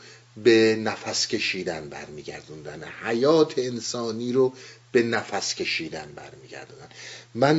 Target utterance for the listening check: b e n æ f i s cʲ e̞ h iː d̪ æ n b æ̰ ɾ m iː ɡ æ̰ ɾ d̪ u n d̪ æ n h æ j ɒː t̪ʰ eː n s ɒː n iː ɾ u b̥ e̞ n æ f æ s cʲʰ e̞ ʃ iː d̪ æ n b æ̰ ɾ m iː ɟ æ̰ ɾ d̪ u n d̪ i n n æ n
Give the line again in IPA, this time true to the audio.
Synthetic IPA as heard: b e n æ f æ s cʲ e̞ ʃ iː d̪ æ n b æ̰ ɾ m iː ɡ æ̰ ɾ d̪ u n d̪ æ n h æ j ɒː t̪ʰ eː n s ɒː n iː ɾ o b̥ e̞ n æ f æ s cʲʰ e̞ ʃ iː d̪ æ n b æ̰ ɾ m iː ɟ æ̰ ɾ d̪ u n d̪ æ n m æ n